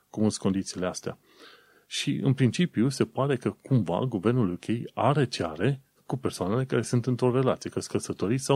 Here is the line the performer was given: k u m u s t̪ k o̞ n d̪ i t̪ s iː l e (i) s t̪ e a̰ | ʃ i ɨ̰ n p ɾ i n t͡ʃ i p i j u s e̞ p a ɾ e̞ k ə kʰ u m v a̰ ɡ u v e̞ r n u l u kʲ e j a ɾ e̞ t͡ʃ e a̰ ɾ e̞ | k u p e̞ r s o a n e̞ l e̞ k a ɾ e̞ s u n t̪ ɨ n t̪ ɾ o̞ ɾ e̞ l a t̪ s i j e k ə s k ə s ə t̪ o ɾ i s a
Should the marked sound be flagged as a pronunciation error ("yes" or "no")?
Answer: yes